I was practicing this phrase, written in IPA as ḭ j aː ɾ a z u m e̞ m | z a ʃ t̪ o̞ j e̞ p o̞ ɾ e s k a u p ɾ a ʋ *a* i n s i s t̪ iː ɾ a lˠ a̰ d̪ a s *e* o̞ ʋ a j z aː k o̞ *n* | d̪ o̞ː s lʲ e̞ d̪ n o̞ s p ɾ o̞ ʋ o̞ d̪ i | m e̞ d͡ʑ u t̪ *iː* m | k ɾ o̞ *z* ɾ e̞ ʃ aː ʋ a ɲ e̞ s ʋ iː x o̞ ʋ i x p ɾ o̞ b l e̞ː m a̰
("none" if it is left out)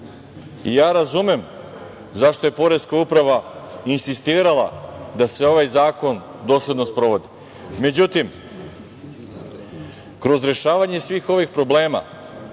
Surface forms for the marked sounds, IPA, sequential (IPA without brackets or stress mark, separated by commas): a, e, n, i, z